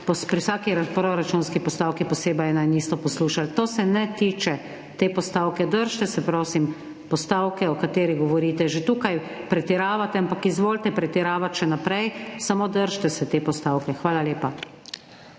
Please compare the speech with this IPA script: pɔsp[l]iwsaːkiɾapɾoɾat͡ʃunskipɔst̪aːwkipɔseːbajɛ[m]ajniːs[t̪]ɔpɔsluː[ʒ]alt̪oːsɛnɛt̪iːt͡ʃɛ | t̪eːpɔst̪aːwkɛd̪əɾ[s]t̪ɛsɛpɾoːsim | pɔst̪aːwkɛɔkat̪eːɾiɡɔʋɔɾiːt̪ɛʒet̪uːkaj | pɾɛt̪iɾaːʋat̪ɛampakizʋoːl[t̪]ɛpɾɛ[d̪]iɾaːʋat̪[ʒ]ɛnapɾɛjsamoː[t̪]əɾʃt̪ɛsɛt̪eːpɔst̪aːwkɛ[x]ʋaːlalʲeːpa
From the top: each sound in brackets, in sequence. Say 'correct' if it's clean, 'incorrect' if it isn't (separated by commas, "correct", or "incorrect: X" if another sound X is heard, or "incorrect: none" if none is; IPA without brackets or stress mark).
incorrect: ɾ, incorrect: n, correct, incorrect: ʃ, incorrect: ʃ, correct, incorrect: t̪, incorrect: ʃ, incorrect: d̪, correct